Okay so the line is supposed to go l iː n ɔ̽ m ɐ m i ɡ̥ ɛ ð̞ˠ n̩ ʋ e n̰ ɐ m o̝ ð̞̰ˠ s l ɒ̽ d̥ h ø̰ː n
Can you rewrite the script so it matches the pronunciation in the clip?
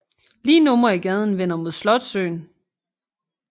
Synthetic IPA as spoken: l iː n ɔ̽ m ɐ i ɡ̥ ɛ ð̞ˠ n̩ ʋ e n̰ ɐ m o̝ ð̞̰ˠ s l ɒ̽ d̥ s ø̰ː n